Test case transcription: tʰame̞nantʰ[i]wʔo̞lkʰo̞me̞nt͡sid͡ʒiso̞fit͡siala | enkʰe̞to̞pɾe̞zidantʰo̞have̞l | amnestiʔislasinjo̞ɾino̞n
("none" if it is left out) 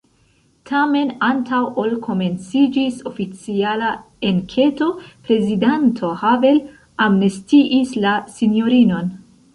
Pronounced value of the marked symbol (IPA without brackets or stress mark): a